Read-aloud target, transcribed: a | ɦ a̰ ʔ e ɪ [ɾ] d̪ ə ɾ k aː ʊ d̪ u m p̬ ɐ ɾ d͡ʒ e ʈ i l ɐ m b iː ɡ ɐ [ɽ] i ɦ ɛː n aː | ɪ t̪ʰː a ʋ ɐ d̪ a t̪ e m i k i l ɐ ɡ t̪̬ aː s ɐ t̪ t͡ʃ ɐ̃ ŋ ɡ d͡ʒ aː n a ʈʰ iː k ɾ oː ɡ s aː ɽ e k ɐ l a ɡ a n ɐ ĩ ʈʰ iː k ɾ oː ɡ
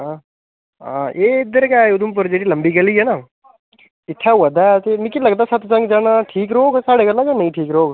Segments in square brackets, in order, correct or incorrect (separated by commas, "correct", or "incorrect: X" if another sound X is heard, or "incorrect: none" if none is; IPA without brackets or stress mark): incorrect: none, incorrect: l